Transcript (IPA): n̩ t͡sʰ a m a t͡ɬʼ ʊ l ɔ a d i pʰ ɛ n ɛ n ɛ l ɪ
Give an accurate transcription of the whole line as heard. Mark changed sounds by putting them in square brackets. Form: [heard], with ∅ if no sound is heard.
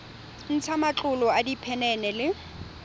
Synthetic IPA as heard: n̩ t͡sʰ a m a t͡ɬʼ ʊ l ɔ a d i pʰ ɛ n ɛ n ɛ l ɪ